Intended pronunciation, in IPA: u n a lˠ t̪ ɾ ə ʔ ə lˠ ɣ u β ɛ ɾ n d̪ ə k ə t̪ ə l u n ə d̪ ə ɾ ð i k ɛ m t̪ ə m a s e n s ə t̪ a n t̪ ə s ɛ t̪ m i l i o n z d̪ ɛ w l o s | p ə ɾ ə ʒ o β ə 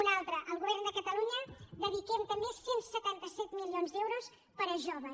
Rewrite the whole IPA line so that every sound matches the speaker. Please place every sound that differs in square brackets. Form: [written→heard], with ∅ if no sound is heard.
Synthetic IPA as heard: u n a lˠ t̪ ɾ ə ʔ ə lˠ ɣ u β ɛ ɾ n d̪ ə k ə t̪ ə l u [n→ɲ] ə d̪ ə [ɾ→∅] ð i k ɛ m t̪ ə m [a→e] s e n s ə t̪ a n t̪ ə s ɛ t̪ m i l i o n z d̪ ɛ w [l→ɾ] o s | p ə ɾ ə ʒ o β ə